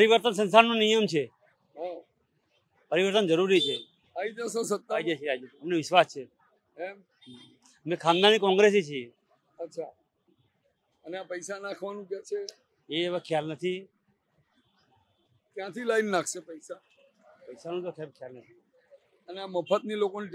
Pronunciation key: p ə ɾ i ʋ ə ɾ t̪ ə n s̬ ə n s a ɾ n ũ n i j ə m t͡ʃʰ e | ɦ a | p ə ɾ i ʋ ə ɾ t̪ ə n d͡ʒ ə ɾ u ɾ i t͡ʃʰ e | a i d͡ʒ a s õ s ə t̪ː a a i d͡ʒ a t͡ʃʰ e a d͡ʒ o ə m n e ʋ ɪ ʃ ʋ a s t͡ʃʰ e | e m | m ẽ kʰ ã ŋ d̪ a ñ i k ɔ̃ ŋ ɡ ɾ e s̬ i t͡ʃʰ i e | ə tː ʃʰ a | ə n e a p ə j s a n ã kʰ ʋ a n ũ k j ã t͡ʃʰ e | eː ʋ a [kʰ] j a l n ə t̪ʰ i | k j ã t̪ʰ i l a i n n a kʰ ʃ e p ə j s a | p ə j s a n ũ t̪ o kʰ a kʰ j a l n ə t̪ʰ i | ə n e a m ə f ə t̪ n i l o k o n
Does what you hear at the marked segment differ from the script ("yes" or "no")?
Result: no